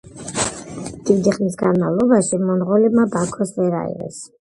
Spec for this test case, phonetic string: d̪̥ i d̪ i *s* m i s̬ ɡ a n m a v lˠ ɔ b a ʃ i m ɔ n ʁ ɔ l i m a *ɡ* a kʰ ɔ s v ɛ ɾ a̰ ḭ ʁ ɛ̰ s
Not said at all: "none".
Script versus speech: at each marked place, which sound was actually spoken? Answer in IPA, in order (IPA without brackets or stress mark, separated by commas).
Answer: χ, b